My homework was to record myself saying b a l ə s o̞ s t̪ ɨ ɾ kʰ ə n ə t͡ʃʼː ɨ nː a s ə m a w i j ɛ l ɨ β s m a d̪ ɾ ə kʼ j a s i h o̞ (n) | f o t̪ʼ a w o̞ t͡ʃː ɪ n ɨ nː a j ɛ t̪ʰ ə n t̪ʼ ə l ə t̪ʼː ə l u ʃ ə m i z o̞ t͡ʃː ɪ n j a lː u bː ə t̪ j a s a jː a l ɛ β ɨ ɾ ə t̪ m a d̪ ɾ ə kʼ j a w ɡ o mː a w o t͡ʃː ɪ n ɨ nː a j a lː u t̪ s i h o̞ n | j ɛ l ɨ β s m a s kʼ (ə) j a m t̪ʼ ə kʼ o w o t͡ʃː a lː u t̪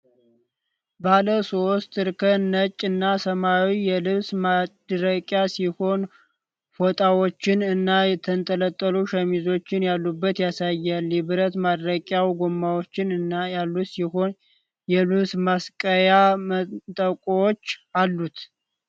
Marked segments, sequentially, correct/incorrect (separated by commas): correct, correct